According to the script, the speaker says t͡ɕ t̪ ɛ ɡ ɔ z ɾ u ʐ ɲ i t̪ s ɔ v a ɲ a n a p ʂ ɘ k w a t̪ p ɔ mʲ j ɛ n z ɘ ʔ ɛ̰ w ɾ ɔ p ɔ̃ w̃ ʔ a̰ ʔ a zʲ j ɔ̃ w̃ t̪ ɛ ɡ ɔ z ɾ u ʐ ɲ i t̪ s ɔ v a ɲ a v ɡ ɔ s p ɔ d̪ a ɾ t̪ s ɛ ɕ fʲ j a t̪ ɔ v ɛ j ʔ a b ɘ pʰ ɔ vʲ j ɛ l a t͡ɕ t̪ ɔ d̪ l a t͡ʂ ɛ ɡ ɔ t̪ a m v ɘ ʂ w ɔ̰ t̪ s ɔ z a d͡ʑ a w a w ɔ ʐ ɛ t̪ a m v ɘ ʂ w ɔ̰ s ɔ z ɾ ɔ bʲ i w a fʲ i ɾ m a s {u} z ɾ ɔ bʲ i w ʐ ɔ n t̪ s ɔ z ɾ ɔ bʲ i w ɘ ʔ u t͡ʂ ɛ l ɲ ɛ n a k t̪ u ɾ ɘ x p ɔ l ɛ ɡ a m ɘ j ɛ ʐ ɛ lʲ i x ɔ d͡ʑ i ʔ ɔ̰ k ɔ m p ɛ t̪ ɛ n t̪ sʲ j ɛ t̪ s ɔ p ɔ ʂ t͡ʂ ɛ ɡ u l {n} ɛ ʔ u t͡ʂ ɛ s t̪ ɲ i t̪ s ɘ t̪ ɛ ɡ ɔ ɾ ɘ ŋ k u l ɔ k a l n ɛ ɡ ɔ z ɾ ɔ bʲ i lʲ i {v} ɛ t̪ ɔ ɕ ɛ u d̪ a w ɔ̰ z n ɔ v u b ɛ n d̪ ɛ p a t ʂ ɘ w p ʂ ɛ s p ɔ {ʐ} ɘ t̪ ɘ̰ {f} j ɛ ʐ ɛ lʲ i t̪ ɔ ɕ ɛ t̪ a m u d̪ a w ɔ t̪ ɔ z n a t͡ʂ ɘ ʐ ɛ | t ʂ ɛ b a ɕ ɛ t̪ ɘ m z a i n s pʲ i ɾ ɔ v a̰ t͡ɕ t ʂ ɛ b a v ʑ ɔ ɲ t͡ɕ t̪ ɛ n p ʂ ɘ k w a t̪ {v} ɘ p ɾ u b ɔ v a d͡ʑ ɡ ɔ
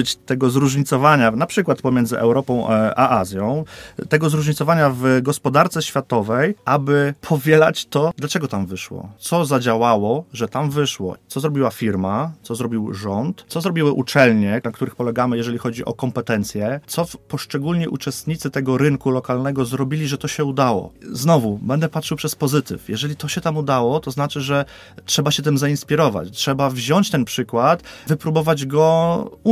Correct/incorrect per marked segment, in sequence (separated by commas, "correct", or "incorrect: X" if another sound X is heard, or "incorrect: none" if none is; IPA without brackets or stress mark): incorrect: ɔ, incorrect: ɲ, incorrect: ʐ, incorrect: z, correct, correct